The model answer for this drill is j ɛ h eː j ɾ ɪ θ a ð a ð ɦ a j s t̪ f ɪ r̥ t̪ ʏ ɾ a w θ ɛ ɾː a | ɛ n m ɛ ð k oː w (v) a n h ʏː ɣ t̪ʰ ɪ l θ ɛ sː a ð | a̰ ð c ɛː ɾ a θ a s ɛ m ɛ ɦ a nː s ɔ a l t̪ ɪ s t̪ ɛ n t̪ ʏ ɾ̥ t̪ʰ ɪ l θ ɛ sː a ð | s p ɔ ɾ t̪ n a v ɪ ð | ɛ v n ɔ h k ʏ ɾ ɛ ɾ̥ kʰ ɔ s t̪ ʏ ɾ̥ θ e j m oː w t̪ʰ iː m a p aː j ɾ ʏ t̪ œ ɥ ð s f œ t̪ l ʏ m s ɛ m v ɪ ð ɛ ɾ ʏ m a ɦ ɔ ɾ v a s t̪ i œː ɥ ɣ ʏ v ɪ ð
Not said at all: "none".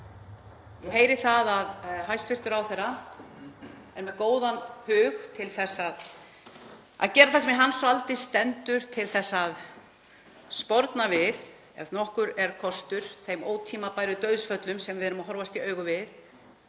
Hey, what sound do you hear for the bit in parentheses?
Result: ð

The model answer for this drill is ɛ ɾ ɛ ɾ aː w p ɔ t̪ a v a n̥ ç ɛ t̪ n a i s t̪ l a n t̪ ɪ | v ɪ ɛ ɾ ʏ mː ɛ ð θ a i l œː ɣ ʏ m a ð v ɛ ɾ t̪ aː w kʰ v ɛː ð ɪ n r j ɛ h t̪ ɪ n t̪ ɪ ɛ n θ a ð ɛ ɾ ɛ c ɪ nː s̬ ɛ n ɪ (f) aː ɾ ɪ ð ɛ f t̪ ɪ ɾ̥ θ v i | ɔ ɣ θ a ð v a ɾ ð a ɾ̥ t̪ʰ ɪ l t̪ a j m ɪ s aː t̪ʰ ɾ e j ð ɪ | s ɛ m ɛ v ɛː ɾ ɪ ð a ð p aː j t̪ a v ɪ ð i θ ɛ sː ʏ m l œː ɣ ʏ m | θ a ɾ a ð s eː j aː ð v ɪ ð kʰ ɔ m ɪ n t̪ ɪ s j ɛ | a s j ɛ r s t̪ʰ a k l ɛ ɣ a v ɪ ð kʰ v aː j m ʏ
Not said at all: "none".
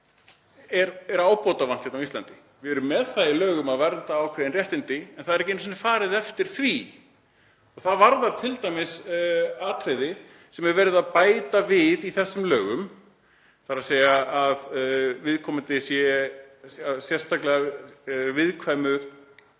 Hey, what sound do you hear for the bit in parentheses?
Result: f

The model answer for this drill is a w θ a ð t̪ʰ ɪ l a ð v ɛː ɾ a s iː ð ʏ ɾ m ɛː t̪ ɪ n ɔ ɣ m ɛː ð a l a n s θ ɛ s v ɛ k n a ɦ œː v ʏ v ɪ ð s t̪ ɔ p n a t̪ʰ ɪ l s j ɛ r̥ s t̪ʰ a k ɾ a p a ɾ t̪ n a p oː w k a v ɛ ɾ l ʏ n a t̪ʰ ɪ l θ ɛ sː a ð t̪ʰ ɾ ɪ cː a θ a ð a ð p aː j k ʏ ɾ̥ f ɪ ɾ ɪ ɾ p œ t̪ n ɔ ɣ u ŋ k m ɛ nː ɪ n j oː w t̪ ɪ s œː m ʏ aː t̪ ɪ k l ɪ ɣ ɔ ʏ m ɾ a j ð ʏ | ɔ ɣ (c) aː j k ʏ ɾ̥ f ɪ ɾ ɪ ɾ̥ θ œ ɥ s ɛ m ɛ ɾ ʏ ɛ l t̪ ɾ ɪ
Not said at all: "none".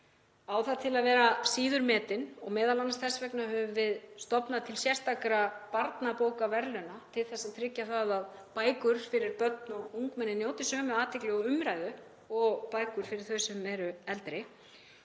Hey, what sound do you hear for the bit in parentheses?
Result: p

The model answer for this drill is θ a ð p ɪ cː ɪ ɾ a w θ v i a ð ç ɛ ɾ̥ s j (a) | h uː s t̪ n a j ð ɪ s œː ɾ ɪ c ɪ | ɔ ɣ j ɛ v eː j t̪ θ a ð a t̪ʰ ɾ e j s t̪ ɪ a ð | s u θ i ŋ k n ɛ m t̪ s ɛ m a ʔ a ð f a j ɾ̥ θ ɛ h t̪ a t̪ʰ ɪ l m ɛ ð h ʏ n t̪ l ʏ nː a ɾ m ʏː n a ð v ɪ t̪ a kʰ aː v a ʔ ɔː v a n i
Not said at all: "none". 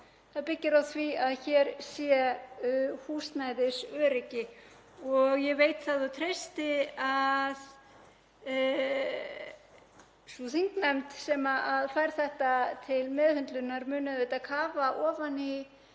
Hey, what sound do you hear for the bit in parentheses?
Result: ɛ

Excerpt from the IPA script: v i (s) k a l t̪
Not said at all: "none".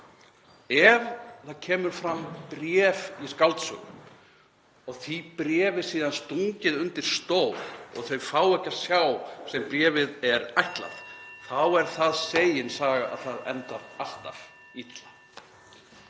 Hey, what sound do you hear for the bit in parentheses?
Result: s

